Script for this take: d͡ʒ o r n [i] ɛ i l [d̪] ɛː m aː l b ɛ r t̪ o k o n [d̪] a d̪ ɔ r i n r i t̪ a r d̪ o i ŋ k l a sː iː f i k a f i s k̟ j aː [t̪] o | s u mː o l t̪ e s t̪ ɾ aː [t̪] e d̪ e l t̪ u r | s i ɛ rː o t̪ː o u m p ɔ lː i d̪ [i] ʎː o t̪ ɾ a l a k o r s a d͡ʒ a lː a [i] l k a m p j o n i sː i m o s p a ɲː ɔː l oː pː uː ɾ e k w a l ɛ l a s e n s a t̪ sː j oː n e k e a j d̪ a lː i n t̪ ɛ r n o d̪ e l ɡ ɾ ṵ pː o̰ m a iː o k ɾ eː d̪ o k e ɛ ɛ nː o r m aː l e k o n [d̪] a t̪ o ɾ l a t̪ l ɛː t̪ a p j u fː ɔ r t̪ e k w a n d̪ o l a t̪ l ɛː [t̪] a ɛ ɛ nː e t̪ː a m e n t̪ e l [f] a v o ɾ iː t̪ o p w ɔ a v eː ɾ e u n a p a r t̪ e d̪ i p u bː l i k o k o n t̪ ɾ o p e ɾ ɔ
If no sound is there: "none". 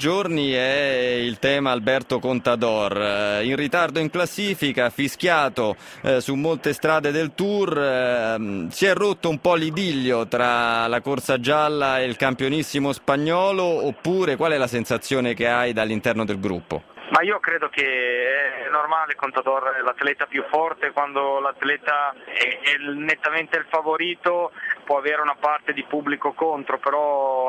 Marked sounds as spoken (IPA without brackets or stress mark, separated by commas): i, t̪, t̪, t̪, d̪, i, e, t̪, t̪, f